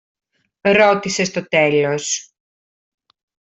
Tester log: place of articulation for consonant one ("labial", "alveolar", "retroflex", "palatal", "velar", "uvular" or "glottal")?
alveolar